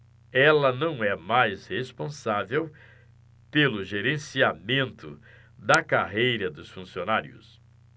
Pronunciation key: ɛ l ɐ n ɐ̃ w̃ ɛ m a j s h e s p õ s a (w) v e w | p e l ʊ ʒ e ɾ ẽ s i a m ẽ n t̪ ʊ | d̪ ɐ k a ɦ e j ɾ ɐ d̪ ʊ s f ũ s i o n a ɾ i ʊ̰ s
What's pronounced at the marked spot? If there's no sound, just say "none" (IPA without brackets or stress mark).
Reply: none